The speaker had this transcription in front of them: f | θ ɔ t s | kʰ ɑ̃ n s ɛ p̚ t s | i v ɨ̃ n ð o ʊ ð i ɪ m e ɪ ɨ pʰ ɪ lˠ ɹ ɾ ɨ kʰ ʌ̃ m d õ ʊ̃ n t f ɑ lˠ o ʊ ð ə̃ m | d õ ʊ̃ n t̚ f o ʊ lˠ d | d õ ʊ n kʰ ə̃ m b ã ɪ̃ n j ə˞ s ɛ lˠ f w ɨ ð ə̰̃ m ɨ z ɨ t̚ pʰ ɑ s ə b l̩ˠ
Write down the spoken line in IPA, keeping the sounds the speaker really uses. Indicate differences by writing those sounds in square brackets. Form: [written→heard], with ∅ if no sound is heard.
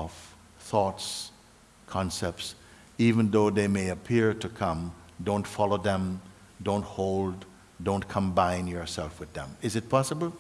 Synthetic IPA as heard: f | θ ɔ t s | kʰ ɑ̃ n s ɛ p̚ t s | i v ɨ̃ n ð o ʊ ð [i→e] ɪ m e ɪ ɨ pʰ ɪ [lˠ→∅] ɹ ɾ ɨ kʰ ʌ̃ m d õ ʊ̃ n t f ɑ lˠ o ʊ ð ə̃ m | d õ ʊ̃ n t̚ [f→h] o ʊ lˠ d | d õ [ʊ→ʊ̃] n kʰ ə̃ m b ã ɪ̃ n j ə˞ s ɛ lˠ f w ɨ ð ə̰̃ m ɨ z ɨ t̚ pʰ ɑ s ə b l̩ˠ